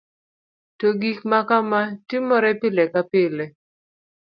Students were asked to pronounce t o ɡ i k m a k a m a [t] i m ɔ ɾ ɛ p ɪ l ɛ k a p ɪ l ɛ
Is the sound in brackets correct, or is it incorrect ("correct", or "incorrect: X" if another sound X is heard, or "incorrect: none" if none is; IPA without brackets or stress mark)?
correct